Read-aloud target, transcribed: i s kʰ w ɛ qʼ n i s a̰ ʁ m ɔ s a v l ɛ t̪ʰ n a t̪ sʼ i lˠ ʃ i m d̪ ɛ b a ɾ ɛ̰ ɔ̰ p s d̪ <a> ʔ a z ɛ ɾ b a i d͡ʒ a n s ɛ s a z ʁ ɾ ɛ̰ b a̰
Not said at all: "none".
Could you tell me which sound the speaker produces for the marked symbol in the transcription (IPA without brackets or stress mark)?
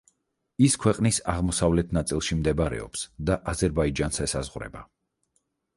a